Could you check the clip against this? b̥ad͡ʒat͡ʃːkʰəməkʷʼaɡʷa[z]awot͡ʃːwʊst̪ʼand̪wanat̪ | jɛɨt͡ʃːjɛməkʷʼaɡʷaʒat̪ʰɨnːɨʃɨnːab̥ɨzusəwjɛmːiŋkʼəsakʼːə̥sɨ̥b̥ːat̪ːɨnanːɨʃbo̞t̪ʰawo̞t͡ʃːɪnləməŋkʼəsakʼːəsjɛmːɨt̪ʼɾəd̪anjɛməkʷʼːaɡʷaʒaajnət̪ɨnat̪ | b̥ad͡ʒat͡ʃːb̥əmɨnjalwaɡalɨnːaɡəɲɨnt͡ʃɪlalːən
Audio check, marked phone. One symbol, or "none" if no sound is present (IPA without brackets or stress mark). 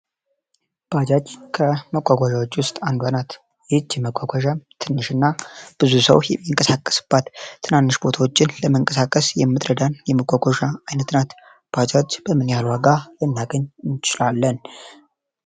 ʒ